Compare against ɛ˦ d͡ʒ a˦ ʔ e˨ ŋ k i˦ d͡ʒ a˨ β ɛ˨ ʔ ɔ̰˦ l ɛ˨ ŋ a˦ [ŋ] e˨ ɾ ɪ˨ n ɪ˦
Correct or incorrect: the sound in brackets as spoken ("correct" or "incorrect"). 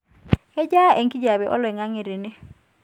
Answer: correct